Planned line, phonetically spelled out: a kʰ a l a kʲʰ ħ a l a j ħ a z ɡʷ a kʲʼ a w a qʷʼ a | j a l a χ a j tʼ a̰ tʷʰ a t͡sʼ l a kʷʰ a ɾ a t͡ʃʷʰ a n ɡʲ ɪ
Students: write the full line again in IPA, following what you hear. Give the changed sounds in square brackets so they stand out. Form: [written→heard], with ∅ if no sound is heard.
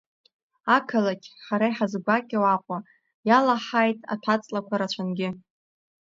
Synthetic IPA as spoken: a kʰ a l a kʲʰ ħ a [l→ɾ] a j ħ a z ɡʷ a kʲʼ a w a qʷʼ a | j a l a [χ→ħ] a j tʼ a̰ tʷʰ a t͡sʼ l a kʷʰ a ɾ a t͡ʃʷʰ a n ɡʲ ɪ